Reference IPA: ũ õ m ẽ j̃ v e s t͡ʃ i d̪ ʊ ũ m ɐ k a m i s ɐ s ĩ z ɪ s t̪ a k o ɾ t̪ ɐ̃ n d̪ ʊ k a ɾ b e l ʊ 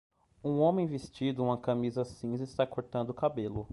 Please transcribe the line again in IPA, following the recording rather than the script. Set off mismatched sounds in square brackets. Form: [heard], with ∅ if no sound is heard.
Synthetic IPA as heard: ũ õ m ẽ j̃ v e s t͡ʃ i d̪ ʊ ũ m ɐ k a m i [z] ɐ s ĩ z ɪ s t̪ a k o ɾ t̪ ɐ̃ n d̪ ʊ k a [∅] b e l ʊ